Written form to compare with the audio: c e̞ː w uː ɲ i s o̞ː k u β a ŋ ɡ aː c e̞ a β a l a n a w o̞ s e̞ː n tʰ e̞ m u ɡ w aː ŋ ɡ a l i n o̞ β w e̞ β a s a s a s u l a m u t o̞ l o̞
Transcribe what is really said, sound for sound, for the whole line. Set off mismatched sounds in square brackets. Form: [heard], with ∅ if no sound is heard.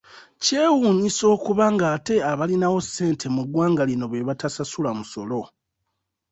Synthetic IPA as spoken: c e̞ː w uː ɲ i s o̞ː k u β a ŋ ɡ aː [t] e̞ a β a l [i] n a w o̞ s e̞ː n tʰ e̞ m u ɡ w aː ŋ ɡ a l i n o̞ β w e̞ β a [t] a s a s u l a m u [s] o̞ l o̞